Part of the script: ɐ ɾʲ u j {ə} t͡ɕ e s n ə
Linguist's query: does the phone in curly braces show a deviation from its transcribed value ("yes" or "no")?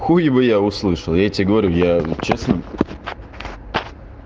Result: yes